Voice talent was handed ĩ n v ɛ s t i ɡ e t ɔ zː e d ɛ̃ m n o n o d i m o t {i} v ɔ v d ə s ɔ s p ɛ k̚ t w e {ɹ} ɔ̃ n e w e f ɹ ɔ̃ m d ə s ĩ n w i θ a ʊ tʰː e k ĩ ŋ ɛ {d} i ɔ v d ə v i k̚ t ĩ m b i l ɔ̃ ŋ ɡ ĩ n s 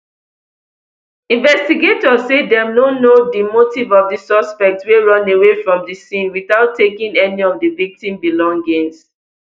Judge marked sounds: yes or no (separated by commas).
yes, yes, no